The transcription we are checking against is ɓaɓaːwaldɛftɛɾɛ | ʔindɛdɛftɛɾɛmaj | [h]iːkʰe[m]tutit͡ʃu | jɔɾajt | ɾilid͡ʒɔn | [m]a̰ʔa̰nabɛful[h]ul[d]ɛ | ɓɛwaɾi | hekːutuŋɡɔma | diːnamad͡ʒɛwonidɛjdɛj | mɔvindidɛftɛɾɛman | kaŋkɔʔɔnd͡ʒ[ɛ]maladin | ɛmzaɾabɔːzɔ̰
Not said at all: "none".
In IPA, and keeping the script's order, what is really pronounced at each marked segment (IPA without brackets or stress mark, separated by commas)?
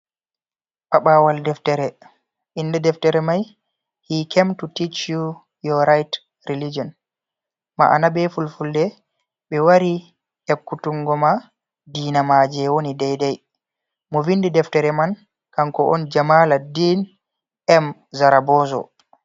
h, m, m, f, d, a